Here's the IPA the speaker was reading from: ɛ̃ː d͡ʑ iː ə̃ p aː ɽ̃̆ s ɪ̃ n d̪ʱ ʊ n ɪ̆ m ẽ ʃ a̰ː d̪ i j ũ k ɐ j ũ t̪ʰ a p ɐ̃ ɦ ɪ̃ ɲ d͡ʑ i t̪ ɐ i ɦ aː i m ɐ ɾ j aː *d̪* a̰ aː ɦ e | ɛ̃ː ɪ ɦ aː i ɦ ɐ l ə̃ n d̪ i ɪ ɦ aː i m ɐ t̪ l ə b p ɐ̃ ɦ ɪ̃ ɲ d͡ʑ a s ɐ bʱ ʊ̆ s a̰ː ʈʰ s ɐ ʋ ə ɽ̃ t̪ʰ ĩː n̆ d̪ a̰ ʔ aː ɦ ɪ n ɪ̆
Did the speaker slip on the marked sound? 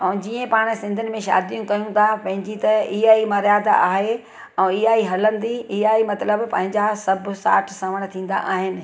no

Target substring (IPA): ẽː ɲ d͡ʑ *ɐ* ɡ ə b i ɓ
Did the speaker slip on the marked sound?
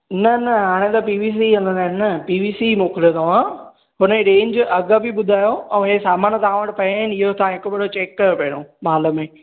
no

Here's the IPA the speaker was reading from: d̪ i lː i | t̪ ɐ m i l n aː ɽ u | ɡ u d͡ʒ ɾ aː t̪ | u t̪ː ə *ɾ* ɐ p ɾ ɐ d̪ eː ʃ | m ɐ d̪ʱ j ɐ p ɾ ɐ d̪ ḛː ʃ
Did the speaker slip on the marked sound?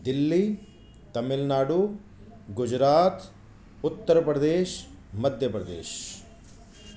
no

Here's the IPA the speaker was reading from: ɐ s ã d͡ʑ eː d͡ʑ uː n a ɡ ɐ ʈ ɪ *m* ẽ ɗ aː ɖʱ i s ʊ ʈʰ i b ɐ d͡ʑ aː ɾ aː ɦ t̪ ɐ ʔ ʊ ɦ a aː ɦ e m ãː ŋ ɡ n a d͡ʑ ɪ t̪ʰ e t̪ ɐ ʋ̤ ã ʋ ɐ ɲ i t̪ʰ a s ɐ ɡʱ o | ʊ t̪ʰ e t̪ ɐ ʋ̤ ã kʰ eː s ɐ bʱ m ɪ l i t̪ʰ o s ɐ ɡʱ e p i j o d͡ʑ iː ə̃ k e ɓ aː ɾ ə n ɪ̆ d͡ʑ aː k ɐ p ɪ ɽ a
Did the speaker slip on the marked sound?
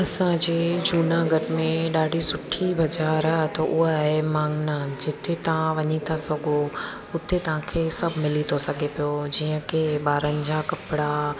no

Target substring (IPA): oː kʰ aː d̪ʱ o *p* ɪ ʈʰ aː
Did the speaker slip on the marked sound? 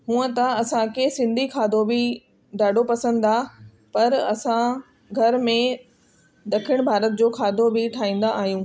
yes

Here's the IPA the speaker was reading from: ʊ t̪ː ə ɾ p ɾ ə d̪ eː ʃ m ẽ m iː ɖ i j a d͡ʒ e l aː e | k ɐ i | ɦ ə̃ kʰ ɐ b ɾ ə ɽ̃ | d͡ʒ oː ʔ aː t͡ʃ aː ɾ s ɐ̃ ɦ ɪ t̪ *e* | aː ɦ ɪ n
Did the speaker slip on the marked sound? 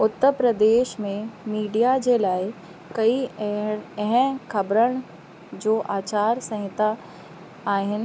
yes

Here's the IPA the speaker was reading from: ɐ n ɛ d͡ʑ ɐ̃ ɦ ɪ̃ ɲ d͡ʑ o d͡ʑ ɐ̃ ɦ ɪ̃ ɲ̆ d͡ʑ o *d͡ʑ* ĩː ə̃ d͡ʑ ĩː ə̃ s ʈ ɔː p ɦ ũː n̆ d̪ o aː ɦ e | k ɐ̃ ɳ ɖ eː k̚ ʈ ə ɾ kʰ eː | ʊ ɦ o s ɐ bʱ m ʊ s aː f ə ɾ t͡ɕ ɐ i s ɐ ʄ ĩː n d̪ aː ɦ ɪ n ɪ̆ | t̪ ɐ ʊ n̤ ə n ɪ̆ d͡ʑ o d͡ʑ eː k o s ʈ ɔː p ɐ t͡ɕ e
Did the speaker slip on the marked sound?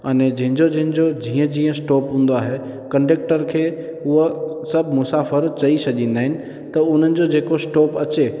no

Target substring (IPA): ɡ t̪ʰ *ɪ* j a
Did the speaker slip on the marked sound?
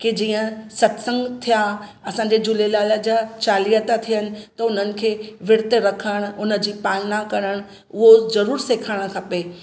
yes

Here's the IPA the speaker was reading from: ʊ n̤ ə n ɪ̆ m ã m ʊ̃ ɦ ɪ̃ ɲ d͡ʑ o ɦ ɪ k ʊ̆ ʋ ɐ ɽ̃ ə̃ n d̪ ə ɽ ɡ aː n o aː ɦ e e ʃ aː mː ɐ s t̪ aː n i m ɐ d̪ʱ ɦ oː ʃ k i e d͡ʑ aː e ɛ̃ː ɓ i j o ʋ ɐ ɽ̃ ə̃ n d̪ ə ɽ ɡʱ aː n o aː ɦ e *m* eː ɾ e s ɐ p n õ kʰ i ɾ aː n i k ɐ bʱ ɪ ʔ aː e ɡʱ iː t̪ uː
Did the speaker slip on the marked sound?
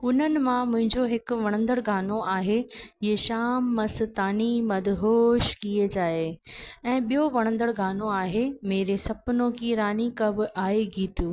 no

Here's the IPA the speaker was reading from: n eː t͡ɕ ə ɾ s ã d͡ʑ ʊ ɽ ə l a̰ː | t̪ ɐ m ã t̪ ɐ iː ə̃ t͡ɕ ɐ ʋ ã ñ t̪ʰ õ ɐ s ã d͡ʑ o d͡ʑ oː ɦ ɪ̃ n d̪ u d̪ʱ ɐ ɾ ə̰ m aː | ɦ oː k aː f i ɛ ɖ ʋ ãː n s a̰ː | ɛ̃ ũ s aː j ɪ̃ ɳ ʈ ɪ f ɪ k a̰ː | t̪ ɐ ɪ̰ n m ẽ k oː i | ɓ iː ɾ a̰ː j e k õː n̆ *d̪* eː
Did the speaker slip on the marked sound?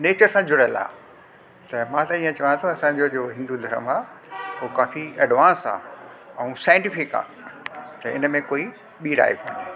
no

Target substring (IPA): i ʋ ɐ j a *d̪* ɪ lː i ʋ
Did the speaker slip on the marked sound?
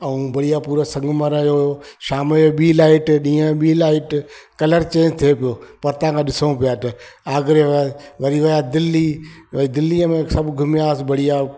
no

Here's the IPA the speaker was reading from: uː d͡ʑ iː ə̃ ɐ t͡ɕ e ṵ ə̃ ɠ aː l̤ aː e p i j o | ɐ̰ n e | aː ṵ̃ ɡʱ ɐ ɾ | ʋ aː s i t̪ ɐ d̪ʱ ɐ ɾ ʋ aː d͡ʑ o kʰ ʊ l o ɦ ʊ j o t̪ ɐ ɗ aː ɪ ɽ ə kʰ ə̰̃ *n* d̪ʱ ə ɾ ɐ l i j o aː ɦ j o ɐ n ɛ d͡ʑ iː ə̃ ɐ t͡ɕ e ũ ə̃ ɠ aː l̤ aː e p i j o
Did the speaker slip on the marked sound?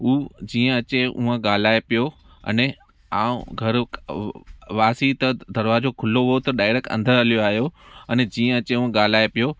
no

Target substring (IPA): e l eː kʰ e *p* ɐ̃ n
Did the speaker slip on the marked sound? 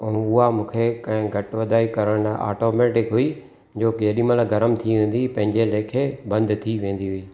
yes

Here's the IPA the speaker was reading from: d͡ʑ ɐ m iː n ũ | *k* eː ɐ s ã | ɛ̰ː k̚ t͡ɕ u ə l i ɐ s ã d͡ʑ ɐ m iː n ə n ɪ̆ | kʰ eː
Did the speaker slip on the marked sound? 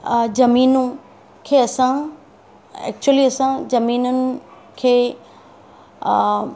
yes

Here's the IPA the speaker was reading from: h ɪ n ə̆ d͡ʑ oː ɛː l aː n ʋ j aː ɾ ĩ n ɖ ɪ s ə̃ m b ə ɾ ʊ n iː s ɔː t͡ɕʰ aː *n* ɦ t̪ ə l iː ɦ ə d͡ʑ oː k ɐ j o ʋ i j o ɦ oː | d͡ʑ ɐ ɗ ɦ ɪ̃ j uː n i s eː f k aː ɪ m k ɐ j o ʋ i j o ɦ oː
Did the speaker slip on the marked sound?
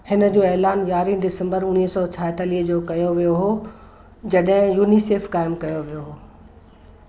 yes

